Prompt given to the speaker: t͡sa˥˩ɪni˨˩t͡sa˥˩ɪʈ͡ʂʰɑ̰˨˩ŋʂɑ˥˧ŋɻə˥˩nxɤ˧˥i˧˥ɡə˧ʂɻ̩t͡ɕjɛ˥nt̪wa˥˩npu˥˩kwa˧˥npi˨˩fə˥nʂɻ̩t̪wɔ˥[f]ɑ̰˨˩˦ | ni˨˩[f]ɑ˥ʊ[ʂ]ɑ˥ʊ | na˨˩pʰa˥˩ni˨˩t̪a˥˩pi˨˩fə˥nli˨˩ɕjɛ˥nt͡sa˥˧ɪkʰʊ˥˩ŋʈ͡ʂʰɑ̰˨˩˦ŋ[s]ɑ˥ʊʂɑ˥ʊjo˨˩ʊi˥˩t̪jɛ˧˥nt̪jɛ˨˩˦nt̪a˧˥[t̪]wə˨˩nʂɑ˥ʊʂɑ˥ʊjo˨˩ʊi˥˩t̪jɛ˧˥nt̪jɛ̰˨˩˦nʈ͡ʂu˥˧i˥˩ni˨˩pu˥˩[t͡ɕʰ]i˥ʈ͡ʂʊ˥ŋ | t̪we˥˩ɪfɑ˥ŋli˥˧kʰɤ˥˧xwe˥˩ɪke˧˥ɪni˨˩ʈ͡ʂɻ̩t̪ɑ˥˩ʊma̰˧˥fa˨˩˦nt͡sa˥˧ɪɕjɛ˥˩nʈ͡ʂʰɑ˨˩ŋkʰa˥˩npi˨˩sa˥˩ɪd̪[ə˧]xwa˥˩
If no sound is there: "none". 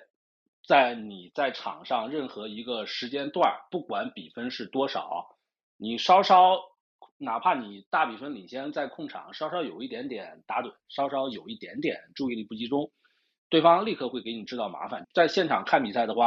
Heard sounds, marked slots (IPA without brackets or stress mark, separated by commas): ʂ, ʂ, ʂ, ʂ, t̪, t͡ɕ, ə˩